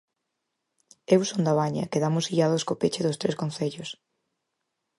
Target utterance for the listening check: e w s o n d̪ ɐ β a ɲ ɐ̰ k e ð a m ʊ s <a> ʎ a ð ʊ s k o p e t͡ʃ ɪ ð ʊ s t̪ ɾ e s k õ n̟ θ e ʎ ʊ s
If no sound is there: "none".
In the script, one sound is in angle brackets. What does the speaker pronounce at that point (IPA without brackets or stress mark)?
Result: i